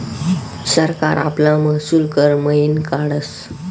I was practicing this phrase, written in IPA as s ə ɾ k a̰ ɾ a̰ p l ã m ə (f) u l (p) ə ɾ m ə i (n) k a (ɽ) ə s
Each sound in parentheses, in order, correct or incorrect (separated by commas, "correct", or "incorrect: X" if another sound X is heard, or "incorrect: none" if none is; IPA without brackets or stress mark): incorrect: s, incorrect: k, correct, correct